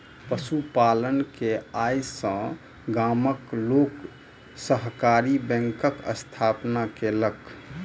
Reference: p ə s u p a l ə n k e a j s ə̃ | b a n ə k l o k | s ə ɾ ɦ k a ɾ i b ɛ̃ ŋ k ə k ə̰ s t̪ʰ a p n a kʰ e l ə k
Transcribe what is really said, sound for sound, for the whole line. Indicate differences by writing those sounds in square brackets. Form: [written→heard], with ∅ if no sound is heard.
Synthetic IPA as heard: p ə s u p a l ə n k e a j s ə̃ | [b→ɡ] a [n→m] ə k l o k | s ə [ɾ→∅] ɦ k a ɾ i b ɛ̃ ŋ k ə k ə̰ s t̪ʰ a p n a [kʰ→k] e l ə k